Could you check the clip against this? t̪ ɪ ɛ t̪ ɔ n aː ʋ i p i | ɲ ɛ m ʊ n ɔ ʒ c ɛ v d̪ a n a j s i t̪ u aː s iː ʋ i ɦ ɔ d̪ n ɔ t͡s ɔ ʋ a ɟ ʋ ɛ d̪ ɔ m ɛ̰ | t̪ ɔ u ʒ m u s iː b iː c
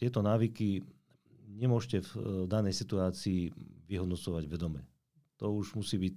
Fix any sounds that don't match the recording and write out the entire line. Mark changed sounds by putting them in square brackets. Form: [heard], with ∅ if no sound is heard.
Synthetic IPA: t̪ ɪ ɛ t̪ ɔ n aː ʋ i [k] i | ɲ ɛ m ʊ [∅] ɔ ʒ c ɛ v d̪ a n [ɛ] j s i t̪ u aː [t͡s] iː ʋ i ɦ ɔ d̪ n ɔ t͡s ɔ ʋ a ɟ ʋ ɛ d̪ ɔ m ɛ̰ | t̪ ɔ u ʒ m u s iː b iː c